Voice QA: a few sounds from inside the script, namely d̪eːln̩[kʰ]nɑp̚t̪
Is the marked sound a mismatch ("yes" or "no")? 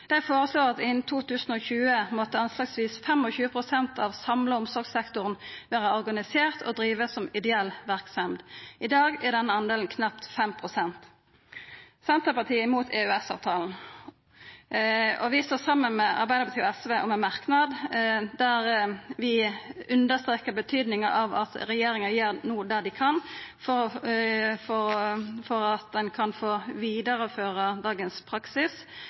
no